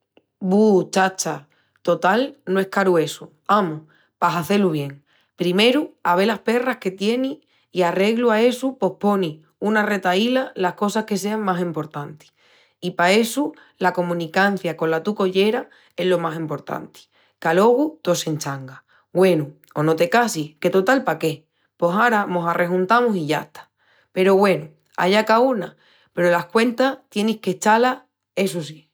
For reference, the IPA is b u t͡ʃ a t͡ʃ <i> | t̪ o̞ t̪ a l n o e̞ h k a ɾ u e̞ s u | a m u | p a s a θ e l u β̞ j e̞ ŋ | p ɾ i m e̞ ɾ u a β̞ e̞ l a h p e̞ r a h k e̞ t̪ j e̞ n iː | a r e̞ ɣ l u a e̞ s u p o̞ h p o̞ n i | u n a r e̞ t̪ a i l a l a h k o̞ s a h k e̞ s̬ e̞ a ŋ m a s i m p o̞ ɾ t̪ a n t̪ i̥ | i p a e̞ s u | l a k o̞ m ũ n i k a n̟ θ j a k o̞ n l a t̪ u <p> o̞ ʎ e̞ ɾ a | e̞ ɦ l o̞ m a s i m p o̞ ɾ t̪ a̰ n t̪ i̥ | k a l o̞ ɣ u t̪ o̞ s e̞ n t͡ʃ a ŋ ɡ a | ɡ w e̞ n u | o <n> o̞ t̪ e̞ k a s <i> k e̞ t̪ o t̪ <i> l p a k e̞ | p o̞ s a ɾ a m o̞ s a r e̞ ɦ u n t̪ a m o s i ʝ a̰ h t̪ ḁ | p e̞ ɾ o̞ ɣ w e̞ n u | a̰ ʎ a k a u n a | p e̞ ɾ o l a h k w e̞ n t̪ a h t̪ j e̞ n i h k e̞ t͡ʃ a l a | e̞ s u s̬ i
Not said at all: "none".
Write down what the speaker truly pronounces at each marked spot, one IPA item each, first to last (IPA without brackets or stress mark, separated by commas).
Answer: a, k, n, i, a